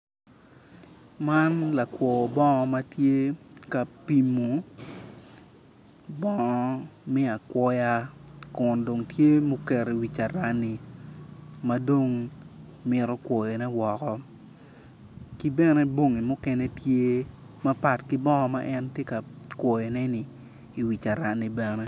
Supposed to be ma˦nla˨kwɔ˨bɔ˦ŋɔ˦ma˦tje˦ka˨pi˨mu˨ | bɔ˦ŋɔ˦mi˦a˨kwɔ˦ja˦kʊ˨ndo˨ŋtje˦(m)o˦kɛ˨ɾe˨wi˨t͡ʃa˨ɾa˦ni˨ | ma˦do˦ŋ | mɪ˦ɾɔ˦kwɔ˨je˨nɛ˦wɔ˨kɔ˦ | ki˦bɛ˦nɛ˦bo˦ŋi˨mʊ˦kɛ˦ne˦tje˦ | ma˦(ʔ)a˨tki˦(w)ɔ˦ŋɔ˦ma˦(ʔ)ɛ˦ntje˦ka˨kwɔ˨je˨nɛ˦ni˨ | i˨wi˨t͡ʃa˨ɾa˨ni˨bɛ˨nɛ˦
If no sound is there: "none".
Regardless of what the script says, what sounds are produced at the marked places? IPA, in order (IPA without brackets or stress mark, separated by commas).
m, p, b, ʔ